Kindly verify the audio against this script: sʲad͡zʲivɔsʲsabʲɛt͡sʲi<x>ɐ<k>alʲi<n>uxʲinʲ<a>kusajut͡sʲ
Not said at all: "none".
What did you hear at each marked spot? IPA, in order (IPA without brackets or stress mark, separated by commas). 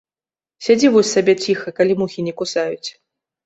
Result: x, k, m, ɛ